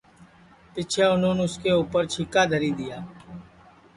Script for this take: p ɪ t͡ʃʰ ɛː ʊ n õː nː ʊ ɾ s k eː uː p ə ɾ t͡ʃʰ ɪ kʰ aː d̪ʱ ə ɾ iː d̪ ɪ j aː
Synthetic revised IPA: p ɪ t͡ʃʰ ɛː ʊ n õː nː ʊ s k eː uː p ə ɾ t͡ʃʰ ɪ k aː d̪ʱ ə ɾ iː d̪ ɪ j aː